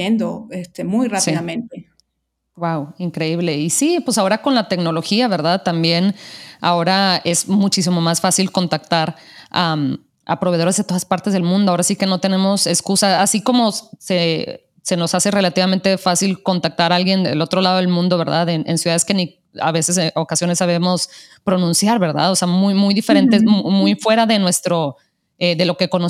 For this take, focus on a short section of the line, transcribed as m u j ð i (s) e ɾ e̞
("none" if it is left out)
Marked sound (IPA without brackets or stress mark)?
f